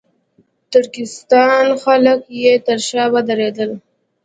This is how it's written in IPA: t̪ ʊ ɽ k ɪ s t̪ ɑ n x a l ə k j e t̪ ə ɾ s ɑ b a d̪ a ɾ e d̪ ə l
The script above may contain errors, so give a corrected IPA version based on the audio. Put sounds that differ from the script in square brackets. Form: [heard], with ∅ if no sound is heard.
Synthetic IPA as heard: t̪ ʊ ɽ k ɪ s t̪ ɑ n x a l ə k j e t̪ ə ɾ [ʃ] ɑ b a d̪ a ɾ e d̪ ə l